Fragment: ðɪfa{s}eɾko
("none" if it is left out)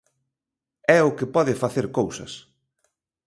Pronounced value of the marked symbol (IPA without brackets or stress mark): θ